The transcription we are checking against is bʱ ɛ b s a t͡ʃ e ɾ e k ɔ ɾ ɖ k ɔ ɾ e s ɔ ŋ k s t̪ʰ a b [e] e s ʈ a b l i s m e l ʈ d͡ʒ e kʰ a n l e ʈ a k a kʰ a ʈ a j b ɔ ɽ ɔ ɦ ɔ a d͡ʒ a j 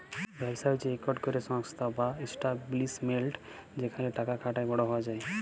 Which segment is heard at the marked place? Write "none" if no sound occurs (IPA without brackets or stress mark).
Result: a